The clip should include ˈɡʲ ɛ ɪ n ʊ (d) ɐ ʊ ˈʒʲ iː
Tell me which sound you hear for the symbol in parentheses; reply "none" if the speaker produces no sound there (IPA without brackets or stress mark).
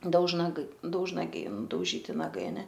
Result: d